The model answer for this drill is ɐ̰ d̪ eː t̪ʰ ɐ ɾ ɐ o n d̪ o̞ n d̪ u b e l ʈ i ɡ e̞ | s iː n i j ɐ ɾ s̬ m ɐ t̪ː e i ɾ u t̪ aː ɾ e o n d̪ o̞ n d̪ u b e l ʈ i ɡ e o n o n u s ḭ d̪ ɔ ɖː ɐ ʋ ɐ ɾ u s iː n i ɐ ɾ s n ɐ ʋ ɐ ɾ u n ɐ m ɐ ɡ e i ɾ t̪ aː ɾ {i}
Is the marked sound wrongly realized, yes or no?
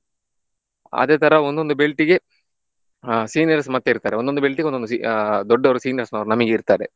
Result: yes